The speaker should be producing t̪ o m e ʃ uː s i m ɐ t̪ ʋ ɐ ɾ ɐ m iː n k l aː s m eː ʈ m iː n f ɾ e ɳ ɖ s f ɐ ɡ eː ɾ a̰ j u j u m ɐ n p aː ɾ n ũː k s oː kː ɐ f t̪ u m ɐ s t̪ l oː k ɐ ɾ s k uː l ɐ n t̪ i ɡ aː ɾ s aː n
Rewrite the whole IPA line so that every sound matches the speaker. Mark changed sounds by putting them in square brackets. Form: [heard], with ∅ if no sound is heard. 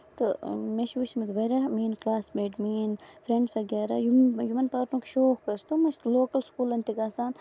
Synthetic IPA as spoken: t̪ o m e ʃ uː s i m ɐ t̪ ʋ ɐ ɾ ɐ m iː n k l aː s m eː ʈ m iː n f ɾ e ɳ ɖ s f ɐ ɡ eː ɾ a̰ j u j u m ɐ n p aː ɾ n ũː k [ʃ] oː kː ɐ [s] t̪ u m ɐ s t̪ l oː k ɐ [l] s k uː l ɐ n t̪ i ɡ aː [∅] s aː n